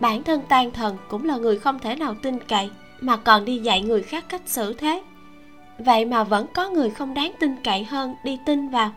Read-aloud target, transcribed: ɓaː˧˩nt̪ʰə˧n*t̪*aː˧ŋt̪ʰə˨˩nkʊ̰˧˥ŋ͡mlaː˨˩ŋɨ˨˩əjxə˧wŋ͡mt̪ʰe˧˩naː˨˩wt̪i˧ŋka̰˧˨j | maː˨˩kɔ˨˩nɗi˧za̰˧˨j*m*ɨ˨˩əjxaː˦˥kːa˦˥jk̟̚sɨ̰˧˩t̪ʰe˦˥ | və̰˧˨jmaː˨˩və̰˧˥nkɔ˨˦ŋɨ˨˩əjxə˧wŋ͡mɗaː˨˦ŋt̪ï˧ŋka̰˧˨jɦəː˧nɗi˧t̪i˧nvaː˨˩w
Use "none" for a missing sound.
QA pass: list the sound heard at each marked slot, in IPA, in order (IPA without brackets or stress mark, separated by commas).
t̪, ŋ